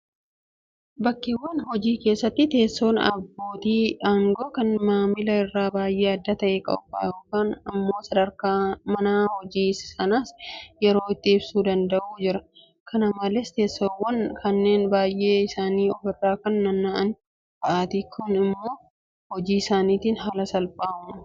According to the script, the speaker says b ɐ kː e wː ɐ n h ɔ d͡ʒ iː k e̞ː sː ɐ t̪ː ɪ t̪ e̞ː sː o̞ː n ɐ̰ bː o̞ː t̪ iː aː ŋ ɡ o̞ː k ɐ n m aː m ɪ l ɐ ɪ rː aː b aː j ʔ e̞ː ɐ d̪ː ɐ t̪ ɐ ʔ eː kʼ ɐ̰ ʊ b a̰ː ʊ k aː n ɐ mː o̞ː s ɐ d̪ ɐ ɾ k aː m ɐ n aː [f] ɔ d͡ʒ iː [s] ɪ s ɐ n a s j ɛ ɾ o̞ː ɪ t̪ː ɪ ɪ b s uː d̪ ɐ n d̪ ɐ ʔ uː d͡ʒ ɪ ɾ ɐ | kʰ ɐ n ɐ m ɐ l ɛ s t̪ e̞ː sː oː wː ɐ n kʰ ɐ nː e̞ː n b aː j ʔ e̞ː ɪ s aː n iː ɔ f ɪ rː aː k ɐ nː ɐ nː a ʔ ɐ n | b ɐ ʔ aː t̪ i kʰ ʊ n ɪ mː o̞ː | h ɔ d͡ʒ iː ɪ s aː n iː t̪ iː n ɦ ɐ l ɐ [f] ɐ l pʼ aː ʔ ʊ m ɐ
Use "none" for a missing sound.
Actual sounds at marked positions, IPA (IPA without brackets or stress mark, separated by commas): h, s, s